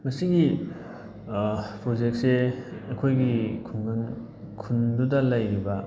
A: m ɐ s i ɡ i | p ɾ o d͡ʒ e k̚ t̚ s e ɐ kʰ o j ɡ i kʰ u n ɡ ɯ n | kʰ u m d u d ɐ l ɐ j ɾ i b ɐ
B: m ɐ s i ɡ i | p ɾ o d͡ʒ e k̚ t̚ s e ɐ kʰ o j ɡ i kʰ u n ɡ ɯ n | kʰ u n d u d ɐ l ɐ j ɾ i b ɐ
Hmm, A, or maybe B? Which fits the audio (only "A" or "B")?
B